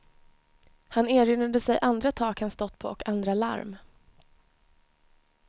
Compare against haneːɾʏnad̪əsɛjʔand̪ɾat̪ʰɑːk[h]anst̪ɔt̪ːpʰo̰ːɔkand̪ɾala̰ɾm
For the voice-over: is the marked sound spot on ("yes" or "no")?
yes